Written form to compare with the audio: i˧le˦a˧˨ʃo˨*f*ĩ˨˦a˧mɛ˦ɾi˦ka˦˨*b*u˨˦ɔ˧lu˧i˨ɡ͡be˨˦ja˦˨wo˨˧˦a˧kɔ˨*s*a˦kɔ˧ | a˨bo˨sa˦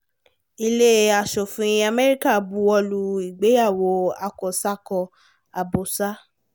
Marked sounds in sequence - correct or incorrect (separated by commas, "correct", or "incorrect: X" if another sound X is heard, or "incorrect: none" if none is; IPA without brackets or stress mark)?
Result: correct, correct, correct